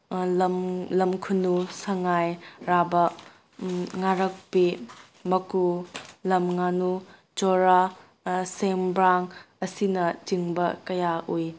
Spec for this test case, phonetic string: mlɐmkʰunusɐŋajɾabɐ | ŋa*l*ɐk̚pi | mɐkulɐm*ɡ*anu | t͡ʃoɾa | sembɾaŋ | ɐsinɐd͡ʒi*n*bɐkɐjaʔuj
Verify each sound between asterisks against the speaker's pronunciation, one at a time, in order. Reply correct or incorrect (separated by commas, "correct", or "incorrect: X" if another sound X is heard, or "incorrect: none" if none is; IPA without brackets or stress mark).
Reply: incorrect: ɾ, incorrect: ŋ, incorrect: ŋ